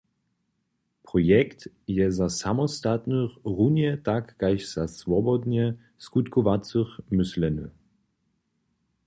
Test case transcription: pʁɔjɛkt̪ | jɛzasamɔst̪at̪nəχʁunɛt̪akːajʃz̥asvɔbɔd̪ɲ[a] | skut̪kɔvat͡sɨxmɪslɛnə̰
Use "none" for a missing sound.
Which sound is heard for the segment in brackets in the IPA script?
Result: ɛ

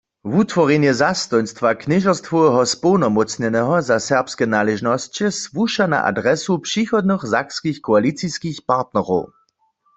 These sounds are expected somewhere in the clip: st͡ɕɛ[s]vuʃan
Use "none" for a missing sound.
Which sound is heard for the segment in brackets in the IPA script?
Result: s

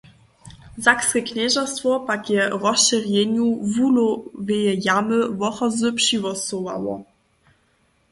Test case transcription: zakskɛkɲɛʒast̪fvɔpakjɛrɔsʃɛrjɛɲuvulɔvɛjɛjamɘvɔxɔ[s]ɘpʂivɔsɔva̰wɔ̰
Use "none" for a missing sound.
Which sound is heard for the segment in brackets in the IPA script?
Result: z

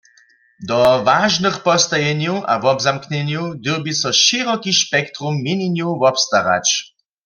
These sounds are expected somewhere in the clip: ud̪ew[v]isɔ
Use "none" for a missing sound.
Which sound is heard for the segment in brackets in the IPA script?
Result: b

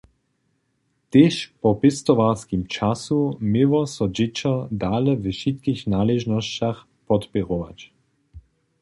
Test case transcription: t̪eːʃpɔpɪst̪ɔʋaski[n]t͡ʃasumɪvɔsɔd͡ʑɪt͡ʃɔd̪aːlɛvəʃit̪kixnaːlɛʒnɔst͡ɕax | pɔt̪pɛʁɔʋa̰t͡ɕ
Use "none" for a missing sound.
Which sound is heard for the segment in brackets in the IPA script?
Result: m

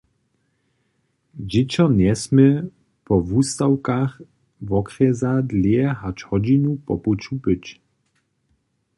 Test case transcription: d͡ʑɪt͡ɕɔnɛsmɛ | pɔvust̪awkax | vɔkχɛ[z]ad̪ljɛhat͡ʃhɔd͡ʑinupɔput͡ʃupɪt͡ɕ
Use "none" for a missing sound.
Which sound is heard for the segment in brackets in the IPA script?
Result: z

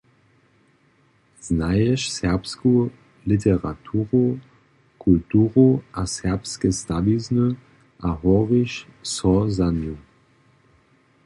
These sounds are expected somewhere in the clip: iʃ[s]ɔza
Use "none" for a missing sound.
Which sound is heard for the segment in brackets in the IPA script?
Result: s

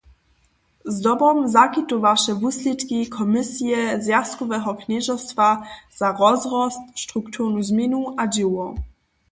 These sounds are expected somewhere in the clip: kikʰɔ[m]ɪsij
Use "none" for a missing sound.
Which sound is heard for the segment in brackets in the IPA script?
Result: m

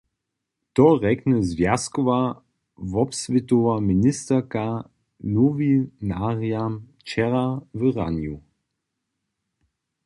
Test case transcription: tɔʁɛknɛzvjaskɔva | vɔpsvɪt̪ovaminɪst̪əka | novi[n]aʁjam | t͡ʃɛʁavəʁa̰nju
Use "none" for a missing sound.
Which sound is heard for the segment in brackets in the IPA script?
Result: n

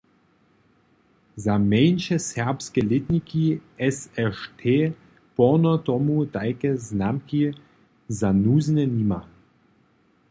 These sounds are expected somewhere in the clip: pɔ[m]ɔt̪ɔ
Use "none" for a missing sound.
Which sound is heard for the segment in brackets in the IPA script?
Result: n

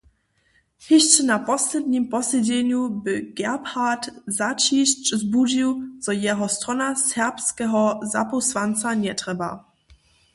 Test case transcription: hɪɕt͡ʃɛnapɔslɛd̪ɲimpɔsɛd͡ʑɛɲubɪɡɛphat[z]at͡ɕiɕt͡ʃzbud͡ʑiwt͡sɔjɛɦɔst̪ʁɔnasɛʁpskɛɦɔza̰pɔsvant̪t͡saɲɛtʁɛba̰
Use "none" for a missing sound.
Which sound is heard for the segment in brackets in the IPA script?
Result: z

